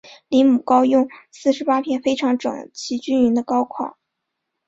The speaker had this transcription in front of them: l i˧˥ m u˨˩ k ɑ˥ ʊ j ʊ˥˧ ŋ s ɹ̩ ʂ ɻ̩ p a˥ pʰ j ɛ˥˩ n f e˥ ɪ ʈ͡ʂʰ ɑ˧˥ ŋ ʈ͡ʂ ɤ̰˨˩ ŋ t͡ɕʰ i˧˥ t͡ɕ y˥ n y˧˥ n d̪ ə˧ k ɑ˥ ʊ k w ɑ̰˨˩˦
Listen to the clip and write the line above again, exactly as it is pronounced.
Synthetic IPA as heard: l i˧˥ m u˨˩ k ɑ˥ ʊ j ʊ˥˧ ŋ s ɹ̩ ʂ ɻ̩ p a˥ pʰ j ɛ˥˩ n f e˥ ɪ ʈ͡ʂʰ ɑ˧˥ ŋ ʈ͡ʂ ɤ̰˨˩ ŋ t͡ɕʰ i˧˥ t͡ɕ y˥ n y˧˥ n d̪ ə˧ k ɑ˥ ʊ kʰ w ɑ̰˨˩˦